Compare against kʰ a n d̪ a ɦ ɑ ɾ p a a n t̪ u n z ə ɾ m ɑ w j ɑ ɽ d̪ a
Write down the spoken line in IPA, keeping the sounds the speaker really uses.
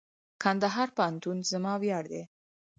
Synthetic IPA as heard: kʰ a n d̪ a ɦ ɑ ɾ p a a n t̪ u n z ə m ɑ w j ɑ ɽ d̪ e